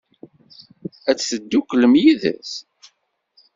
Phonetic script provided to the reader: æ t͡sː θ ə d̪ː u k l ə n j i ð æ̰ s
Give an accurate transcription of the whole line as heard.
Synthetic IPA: æ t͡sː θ ə d̪ː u k l ə m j i ð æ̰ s

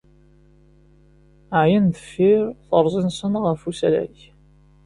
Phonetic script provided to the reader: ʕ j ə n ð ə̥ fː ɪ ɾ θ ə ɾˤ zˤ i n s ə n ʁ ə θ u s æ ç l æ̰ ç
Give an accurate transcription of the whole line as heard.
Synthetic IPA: ʕ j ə n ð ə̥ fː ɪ ɾ θ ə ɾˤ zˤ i n s ə n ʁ ə f u s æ l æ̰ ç

